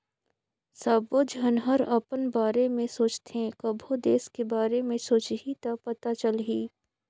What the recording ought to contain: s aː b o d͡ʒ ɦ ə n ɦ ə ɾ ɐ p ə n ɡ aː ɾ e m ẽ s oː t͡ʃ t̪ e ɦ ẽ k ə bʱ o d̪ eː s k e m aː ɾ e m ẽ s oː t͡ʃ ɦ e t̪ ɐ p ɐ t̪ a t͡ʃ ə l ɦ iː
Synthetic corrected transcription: s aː b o d͡ʒ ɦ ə n ɦ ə ɾ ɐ p ə n b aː ɾ e m ẽ s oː t͡ʃ t̪ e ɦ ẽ k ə bʱ o d̪ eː s k e b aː ɾ e m ẽ s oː t͡ʃ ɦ i t̪ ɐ p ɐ t̪ a t͡ʃ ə l ɦ iː